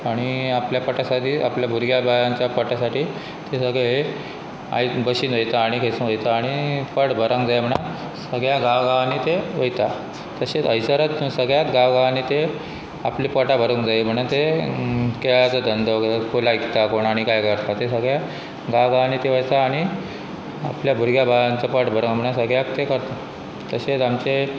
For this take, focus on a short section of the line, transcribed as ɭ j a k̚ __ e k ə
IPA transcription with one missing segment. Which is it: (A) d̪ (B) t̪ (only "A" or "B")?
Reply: B